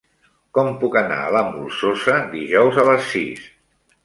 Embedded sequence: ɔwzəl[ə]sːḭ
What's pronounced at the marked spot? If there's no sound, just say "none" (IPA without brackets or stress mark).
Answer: ə